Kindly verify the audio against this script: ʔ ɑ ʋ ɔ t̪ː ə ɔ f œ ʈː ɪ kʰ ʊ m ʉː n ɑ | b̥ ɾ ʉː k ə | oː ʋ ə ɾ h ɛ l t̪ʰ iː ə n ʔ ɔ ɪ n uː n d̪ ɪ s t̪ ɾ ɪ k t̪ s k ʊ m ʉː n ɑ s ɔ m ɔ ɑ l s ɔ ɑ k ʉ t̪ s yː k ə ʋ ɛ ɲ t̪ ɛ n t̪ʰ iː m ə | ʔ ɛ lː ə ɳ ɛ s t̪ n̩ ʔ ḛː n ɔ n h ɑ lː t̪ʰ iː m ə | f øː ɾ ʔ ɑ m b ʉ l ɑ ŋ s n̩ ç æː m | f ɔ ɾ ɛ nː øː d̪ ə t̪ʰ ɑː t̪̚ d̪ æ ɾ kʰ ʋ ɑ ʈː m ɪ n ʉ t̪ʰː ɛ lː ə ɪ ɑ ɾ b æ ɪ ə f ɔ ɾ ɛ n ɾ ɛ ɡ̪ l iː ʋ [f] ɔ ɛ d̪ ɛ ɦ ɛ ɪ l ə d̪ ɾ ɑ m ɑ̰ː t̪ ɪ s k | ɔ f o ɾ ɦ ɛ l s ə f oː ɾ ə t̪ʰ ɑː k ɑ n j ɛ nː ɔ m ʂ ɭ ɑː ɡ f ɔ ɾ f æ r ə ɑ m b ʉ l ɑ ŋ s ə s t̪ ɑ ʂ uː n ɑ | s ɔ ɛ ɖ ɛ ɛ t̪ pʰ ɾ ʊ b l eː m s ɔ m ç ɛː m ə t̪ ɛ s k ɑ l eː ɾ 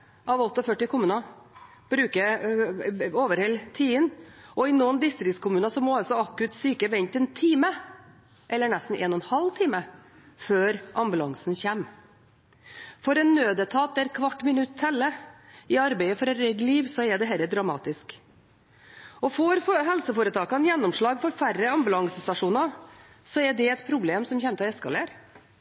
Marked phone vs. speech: incorrect: s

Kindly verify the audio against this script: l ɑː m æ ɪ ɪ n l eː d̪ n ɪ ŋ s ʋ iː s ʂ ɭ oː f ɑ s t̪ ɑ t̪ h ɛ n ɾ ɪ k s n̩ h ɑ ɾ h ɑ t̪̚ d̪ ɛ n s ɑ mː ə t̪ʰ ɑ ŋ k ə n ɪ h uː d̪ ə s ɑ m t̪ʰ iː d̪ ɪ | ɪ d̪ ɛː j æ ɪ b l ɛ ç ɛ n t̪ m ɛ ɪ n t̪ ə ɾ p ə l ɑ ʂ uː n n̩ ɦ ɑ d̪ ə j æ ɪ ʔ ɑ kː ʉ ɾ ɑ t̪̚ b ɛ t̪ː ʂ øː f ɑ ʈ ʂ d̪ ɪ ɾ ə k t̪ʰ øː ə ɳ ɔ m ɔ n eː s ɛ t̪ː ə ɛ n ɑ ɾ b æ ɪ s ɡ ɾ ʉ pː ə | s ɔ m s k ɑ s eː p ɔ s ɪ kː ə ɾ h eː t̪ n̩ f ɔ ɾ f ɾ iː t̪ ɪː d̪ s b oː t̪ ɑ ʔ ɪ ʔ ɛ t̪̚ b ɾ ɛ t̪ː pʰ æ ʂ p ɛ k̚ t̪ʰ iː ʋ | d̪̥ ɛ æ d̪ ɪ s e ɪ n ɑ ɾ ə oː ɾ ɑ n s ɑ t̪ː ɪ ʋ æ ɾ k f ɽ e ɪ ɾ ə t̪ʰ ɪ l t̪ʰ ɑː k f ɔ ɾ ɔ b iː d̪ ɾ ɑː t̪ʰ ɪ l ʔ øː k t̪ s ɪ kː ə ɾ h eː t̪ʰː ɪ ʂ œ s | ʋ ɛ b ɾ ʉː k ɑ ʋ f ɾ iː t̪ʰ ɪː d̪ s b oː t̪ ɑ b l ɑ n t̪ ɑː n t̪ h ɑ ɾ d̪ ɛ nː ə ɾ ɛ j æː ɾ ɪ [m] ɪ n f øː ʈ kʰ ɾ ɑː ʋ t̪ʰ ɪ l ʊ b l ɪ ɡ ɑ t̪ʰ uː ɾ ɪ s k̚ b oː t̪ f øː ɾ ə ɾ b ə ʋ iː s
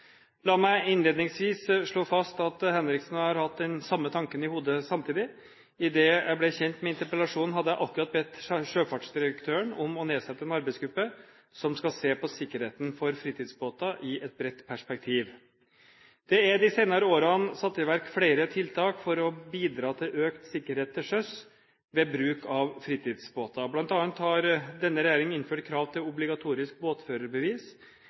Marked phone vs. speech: incorrect: ŋ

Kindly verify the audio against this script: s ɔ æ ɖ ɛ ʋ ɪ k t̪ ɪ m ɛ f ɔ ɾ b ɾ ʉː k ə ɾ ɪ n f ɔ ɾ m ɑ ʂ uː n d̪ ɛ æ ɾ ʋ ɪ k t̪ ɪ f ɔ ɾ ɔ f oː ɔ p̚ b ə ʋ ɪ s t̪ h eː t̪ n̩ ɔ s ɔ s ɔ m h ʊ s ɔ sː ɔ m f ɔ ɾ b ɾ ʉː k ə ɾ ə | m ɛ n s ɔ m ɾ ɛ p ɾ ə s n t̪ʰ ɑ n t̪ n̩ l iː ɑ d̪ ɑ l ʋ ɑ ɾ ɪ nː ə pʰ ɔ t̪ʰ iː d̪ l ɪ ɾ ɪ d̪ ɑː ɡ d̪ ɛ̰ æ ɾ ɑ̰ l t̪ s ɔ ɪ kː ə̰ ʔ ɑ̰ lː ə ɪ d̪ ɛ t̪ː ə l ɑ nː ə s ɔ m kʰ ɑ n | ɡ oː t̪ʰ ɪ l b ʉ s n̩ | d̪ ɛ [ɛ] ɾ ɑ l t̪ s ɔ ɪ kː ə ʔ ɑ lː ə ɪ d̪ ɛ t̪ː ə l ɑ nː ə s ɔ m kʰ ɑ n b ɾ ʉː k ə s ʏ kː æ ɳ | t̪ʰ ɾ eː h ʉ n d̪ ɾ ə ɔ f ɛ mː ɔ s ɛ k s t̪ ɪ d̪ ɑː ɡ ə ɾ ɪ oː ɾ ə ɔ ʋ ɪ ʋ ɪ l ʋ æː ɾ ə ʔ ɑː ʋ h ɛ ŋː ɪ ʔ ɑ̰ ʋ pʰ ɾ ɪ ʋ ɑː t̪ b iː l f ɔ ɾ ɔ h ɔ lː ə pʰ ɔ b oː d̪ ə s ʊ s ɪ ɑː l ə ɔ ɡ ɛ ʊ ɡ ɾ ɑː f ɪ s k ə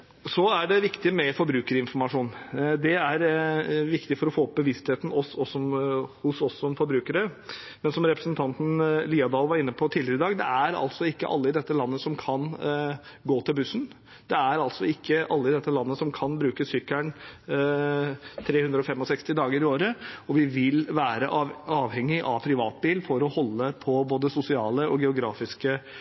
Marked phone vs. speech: incorrect: æ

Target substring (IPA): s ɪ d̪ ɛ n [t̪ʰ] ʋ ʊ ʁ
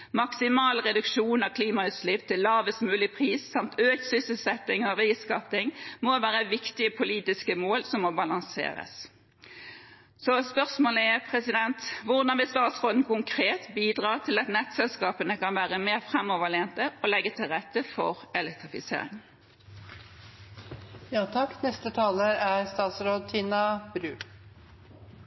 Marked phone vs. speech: incorrect: t̪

